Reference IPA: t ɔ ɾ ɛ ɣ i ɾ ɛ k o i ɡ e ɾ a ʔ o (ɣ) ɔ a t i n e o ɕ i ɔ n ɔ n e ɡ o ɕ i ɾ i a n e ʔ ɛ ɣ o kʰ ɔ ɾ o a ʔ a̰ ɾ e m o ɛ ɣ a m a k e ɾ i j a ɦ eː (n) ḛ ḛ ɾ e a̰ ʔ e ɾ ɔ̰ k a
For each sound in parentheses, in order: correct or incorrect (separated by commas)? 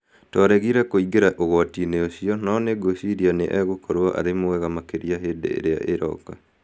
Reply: correct, incorrect